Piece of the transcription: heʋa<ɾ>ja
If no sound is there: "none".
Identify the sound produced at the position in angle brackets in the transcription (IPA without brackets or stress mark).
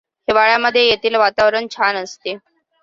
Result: ɭ